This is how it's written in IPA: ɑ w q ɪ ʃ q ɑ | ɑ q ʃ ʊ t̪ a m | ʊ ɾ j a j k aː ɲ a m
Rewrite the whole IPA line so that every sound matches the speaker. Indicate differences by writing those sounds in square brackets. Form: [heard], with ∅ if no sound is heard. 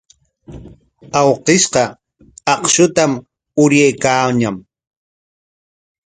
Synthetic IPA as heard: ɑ w q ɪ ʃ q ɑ | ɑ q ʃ ʊ t̪ a m | ʊ ɾ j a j k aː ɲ a m

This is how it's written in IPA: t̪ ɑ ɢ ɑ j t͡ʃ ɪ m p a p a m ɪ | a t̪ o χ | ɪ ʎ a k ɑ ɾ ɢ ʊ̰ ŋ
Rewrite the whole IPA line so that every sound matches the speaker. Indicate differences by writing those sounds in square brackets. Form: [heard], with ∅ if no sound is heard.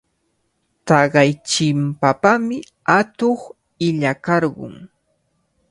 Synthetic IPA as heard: t̪ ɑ ɢ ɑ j t͡ʃ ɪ m p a p a m ɪ | a t̪ o χ | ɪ ʎ a k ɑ ɾ ɢ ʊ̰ ŋ

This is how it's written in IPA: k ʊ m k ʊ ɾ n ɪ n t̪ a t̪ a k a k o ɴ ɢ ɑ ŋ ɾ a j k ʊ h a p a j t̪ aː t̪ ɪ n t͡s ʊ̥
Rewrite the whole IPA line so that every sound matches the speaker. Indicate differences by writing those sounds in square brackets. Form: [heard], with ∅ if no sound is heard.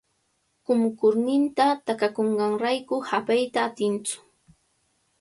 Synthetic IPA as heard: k ʊ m k ʊ ɾ n ɪ n t̪ a t̪ a k a k o ɴ ɢ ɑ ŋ ɾ a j k ʊ h a p a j t̪ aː t̪ ɪ n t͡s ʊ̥

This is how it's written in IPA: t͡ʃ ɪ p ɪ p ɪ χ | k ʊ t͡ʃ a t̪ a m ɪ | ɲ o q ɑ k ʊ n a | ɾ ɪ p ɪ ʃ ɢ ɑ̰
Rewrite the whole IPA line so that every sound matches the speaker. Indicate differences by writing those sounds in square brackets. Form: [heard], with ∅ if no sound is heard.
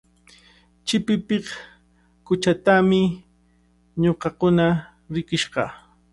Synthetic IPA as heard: t͡ʃ ɪ p ɪ p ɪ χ | k ʊ t͡ʃ a t̪ a m ɪ | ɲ o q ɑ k ʊ n a | ɾ ɪ [k] ɪ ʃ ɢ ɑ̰

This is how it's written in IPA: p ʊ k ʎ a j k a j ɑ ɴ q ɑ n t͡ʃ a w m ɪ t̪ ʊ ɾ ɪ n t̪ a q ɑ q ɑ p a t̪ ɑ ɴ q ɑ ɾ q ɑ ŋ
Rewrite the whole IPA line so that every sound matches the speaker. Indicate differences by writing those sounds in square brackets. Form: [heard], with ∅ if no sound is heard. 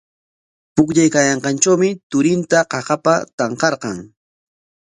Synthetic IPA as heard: p ʊ k ʎ a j k a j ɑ ɴ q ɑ n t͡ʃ a w m ɪ t̪ ʊ ɾ ɪ n t̪ a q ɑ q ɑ p a t̪ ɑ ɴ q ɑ ɾ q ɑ ŋ

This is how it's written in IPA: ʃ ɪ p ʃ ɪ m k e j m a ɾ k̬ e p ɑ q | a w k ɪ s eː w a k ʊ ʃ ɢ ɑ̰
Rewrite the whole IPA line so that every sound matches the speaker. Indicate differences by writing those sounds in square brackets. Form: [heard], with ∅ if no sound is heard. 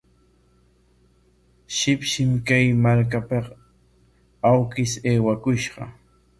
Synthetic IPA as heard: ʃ ɪ p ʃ ɪ m k [a] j m a ɾ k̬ [a] p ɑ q | a w k ɪ s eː w a k ʊ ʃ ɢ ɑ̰

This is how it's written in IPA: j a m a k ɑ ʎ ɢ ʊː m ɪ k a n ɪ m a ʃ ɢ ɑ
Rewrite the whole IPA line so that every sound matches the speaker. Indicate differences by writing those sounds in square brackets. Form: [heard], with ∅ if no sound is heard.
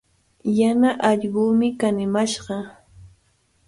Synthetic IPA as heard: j a [n] a [ʔ] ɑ ʎ ɢ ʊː m ɪ k a n ɪ m a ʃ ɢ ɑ

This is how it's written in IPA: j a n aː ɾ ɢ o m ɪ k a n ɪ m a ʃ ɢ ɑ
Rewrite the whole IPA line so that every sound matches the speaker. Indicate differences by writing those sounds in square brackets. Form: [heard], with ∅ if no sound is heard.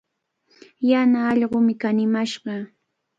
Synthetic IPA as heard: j a n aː [ʎ] ɢ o m ɪ k a n ɪ m a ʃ ɢ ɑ

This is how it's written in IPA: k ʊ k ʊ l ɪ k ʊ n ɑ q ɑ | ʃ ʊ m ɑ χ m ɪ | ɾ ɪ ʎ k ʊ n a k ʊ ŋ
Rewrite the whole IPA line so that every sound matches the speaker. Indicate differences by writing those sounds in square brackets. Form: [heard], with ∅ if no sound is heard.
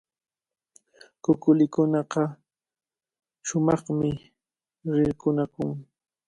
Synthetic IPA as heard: k ʊ k ʊ l ɪ k ʊ n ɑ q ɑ | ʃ ʊ m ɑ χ m ɪ | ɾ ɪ [ɾ] k ʊ n a k ʊ ŋ

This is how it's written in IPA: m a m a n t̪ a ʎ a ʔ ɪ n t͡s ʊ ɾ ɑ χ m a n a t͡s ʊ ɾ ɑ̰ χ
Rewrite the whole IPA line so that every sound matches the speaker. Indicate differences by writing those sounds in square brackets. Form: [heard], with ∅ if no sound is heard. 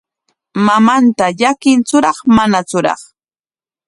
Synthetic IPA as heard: m a m a n t̪ a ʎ a [k] ɪ n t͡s ʊ ɾ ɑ χ m a n a t͡s ʊ ɾ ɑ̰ χ

